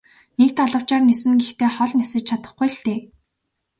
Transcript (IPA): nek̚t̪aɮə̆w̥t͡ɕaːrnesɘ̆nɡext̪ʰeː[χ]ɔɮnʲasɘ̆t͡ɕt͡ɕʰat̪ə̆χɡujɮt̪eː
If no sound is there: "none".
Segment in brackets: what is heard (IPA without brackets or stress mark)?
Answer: χ